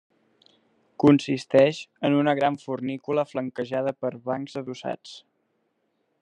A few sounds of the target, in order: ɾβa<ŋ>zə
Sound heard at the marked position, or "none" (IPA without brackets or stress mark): ŋ